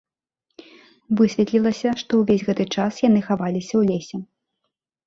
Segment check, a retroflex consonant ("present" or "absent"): present